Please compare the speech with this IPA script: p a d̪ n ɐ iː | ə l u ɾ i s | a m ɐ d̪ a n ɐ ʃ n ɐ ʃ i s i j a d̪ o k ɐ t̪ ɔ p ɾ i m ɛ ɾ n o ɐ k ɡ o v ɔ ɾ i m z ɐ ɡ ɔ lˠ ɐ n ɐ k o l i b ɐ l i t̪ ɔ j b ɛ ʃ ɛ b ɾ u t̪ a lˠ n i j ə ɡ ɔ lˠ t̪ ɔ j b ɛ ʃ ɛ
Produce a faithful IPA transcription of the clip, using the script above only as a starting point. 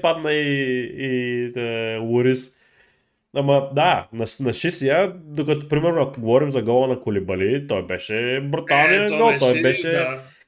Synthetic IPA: p a d̪ n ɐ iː | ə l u ɾ i s | a m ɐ d̪ a n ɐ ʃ n ɐ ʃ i s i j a d̪ o k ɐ t̪ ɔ p ɾ i m ɛ ɾ n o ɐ k ɡ o v ɔ ɾ i m z ɐ ɡ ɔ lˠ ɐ n ɐ k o l i b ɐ l i t̪ ɔ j b ɛ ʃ ɛ b ɾ u t̪ a lˠ n i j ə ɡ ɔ lˠ t̪ ɔ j b ɛ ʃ ɛ